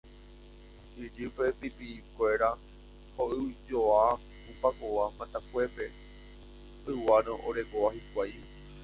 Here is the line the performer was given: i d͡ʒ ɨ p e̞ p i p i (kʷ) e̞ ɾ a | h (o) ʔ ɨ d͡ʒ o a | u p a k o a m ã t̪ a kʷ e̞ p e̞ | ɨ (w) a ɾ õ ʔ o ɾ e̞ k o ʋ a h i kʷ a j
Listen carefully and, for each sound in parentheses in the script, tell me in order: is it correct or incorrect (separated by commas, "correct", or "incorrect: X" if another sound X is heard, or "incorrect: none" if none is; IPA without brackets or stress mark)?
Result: correct, correct, correct